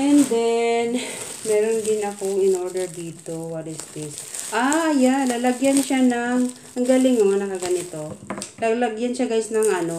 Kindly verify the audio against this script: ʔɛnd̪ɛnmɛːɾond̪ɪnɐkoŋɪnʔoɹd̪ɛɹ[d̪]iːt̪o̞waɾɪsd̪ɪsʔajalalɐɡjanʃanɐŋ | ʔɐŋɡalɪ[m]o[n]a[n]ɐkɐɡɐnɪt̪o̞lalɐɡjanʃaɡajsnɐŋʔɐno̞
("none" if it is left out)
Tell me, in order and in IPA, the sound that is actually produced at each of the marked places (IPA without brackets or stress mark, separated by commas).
d̪, ŋ, ŋ, n